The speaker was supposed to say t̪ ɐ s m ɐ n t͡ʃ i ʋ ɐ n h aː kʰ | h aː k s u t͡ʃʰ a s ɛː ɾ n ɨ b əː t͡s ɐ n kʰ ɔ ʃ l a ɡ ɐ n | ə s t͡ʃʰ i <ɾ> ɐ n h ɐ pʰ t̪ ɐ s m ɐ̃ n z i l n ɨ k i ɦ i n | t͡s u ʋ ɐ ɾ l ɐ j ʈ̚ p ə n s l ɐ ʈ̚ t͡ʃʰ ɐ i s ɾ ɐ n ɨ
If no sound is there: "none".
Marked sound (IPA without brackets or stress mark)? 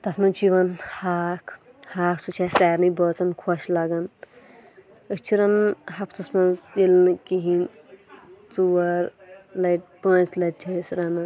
ɾ